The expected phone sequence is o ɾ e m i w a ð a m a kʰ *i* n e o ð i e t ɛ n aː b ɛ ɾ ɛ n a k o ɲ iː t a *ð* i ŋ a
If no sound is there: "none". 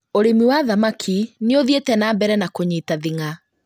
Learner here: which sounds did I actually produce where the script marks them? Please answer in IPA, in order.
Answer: i, ð

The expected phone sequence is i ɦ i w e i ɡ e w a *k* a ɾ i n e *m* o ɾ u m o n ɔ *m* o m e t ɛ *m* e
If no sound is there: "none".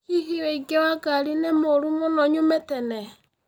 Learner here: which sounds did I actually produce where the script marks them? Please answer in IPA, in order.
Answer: ɡ, m, ɲ, n

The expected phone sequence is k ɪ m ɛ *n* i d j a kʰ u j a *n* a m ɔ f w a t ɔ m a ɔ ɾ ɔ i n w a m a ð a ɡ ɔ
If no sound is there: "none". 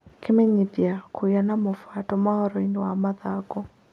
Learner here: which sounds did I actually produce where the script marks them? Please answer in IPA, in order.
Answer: ɲ, n

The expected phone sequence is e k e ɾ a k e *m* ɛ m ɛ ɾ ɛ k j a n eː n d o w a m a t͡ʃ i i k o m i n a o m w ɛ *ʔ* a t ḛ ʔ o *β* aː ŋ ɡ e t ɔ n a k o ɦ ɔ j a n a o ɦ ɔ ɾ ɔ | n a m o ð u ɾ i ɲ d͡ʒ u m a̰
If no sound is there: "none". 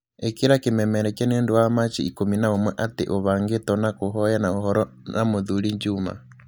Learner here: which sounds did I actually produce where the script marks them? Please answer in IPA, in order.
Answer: m, ʔ, β

